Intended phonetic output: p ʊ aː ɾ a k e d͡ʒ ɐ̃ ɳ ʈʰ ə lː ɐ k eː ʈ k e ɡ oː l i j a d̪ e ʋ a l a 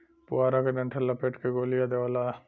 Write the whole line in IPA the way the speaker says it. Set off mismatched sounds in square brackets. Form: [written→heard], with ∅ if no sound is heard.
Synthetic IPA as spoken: p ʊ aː ɾ a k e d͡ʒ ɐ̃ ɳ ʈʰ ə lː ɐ [k→p] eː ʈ k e ɡ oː l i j a d̪ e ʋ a l a